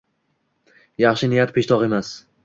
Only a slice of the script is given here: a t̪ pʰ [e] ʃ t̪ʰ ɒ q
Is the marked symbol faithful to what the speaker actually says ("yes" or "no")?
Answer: yes